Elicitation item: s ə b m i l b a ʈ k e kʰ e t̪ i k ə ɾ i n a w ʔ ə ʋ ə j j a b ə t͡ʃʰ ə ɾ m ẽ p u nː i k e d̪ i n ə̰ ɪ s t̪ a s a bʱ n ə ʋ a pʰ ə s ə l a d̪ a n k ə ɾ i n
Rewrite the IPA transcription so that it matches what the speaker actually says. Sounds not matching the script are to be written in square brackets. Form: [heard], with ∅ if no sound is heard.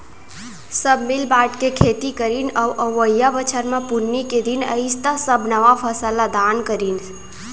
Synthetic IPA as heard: s ə b m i l b a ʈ k e kʰ e t̪ i k ə ɾ i n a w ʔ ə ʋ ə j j a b ə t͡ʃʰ ə ɾ m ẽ p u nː i k e d̪ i n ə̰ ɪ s t̪ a s [ə] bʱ n ə ʋ a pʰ ə s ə l a d̪ a n k ə ɾ i n